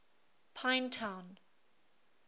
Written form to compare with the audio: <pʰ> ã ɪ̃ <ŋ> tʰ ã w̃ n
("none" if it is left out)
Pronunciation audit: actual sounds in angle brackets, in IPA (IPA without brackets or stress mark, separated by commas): pʰ, n